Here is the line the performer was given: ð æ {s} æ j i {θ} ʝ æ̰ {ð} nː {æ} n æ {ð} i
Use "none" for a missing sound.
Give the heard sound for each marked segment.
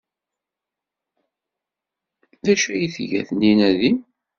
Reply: ʃ, θ, θ, i, ð

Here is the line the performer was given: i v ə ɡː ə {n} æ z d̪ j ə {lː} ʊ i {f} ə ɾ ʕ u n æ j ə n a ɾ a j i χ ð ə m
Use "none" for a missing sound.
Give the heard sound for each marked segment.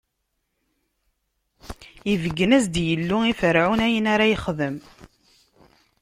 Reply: n, lː, f

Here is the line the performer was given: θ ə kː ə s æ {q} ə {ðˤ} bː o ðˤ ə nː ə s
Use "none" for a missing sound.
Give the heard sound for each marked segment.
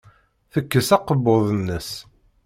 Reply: q, none

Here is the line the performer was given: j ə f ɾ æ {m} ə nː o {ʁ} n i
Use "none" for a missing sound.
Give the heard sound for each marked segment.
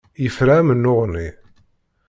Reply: m, ʁ

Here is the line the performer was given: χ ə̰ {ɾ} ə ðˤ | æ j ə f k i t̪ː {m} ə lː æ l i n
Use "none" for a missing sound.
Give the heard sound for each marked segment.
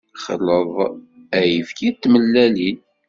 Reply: l, m

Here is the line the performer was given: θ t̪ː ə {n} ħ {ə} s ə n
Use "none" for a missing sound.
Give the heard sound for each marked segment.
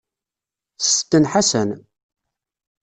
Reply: n, a

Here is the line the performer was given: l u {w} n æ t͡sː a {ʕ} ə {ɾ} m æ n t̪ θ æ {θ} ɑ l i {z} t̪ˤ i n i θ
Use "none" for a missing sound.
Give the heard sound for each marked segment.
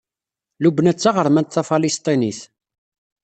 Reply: b, ʁ, ɾ, f, s

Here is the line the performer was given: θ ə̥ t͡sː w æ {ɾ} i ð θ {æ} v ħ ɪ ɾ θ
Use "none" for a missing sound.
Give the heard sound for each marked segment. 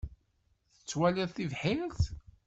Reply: l, i

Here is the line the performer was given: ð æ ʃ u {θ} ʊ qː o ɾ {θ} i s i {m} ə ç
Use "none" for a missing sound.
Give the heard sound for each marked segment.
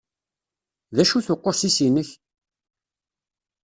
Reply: θ, s, n

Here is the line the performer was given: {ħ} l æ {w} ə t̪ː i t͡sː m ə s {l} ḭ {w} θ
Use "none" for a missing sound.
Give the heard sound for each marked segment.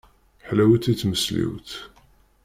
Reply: ħ, w, l, w

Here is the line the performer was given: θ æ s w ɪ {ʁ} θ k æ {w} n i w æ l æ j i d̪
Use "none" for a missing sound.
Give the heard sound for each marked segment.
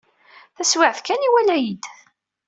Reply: ʕ, none

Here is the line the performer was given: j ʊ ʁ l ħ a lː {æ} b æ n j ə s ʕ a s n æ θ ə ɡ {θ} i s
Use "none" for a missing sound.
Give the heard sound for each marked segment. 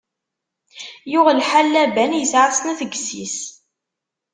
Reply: æ, s

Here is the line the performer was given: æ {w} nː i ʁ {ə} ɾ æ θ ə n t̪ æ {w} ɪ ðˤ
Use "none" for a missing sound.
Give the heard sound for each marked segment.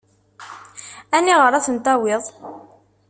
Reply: none, ə, w

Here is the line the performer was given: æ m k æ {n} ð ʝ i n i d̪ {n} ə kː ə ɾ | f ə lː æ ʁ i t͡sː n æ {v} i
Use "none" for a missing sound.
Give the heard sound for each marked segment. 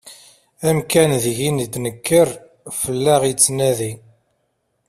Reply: n, n, ð

